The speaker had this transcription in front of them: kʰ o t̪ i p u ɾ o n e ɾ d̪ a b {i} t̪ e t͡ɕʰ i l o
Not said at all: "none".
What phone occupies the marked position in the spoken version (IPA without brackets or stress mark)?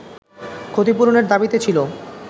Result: i